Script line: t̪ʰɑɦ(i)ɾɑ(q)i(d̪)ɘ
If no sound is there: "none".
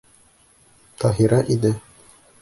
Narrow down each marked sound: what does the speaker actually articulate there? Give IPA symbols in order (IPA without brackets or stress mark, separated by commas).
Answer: i, ʔ, d̪